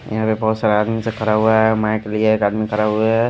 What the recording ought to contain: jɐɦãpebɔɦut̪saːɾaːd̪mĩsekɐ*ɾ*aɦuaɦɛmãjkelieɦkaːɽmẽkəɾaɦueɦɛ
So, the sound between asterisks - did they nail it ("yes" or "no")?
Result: yes